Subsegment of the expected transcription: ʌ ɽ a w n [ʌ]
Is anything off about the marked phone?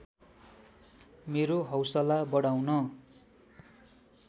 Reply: no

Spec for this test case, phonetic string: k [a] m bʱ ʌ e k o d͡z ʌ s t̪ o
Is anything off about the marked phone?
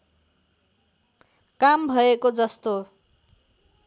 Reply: no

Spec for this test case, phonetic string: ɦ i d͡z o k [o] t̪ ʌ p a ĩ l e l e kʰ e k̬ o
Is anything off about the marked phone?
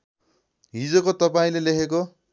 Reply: no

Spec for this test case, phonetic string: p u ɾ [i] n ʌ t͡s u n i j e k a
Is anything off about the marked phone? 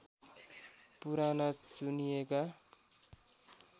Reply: yes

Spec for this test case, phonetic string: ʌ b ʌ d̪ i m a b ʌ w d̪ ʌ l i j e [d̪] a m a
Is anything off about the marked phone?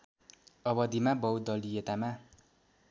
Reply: yes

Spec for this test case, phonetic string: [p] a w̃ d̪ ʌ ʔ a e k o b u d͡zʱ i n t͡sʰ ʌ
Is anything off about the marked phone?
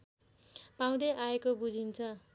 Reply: no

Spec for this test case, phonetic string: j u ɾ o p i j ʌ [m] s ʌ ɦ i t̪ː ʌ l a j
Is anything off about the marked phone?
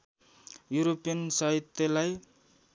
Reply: yes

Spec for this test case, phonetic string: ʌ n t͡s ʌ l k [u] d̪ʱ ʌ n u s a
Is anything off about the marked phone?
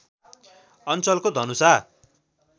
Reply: yes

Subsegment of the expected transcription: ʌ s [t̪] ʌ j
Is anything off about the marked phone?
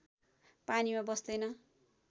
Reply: yes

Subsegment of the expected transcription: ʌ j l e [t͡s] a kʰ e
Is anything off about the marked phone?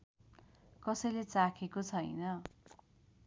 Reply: no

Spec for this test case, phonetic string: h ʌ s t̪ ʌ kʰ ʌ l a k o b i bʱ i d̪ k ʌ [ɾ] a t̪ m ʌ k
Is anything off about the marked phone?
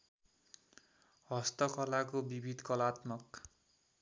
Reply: yes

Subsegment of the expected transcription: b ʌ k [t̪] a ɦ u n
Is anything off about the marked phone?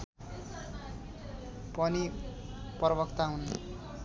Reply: no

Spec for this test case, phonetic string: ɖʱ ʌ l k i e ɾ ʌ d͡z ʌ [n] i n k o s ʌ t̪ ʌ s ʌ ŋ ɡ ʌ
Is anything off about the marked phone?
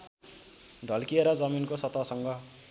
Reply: yes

